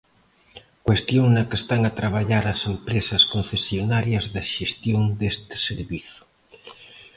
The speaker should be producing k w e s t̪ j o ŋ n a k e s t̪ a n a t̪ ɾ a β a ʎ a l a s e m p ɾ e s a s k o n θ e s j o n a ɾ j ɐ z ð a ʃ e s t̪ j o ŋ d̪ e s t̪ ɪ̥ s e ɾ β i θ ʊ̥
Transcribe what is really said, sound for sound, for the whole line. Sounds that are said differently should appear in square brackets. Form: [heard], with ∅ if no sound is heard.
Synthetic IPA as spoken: k w e s t̪ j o ŋ n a k e s t̪ a [ŋ] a t̪ ɾ a β a ʎ a [ɾ] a s e m p ɾ e s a s k o n θ e s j o n a ɾ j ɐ z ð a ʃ e s t̪ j o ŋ d̪ e s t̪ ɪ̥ s e ɾ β i θ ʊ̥